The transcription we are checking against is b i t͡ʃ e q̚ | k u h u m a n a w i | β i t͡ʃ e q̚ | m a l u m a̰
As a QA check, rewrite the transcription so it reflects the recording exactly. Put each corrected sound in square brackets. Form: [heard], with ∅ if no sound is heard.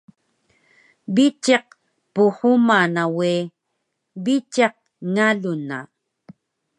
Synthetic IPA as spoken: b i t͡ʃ e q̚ | [p] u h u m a n a w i | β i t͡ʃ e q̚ | [ŋ] a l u [n] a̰